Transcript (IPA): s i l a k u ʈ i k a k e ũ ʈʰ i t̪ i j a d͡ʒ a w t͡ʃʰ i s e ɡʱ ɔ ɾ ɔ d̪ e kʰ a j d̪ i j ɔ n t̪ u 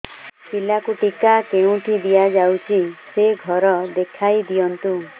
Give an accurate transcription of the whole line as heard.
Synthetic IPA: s i l a k u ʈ i k a k e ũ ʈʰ i d̪ i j a d͡ʒ a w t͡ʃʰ i s e ɡʱ ɔ ɾ ɔ d̪ e kʰ a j d̪ i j ɔ n t̪ u